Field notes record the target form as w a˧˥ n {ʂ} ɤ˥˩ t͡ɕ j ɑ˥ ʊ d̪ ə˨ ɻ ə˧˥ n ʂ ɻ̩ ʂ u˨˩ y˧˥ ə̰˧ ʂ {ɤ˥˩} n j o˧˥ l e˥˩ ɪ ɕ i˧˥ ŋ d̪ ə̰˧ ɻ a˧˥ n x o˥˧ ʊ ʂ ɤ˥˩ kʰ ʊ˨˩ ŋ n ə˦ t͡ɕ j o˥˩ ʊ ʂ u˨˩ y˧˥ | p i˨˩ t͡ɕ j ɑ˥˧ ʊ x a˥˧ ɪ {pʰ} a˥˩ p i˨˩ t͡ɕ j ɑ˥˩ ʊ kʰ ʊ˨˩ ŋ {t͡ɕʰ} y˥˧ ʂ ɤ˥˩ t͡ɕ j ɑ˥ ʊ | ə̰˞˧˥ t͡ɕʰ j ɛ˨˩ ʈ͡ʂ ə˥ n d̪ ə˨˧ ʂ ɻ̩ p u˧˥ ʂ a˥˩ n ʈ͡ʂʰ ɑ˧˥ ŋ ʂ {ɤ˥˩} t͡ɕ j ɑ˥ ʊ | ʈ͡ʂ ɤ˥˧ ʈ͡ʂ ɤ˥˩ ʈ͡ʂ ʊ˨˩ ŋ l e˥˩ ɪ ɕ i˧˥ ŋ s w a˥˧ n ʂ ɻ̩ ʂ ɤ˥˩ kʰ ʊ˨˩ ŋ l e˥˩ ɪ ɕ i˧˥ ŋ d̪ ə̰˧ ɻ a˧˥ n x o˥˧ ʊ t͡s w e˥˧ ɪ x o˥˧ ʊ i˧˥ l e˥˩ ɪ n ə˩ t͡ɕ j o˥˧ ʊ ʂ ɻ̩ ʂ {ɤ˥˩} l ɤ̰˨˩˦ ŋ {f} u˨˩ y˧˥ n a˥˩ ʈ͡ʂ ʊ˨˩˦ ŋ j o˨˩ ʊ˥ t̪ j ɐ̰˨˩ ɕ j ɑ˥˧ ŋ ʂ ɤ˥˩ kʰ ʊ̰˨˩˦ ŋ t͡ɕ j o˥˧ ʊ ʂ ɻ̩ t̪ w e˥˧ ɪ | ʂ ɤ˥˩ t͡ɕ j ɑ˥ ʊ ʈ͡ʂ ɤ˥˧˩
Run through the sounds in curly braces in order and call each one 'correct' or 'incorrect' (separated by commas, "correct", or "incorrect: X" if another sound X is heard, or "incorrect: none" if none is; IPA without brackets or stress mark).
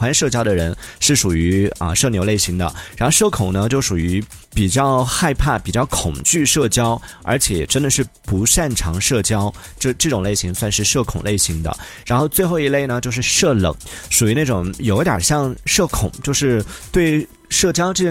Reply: correct, correct, correct, incorrect: t͡ɕ, correct, correct, incorrect: ʂ